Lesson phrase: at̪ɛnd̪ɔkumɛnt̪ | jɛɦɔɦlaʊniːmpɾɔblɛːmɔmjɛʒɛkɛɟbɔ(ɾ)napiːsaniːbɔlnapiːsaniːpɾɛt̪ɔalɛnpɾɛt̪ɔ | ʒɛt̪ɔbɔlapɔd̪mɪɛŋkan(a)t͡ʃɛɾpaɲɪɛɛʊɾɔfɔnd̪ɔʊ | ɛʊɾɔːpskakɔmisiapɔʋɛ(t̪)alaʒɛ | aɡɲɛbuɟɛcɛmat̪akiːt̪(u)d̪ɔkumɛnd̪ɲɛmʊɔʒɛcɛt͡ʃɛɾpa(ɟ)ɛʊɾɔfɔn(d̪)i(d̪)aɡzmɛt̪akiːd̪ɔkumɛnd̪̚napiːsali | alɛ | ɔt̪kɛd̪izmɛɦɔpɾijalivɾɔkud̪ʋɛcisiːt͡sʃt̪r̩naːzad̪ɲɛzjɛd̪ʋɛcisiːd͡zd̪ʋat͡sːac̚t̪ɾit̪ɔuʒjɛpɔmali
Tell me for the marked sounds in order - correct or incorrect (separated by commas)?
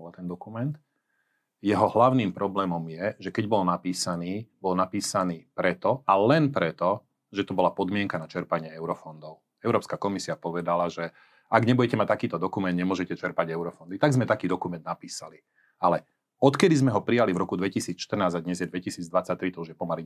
incorrect, correct, incorrect, incorrect, correct, correct, incorrect